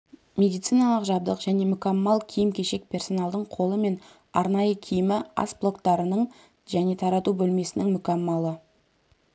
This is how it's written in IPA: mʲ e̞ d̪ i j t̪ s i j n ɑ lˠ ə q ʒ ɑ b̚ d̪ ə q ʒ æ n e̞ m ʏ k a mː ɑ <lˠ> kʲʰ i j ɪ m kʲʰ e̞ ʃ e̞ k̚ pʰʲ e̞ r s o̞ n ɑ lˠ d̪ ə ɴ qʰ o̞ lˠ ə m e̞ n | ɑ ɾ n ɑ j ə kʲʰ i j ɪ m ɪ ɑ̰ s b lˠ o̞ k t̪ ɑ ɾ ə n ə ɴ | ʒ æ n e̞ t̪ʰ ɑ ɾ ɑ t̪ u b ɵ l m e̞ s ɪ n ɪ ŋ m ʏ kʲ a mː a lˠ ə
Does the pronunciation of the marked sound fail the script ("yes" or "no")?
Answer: no